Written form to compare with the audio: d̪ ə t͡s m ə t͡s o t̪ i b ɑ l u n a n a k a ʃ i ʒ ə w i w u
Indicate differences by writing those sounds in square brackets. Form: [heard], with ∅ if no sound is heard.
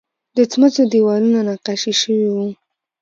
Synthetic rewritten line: d̪ ə t͡s m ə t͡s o [d̪] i [w] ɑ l u n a n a [q] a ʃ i [ʃ] ə w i w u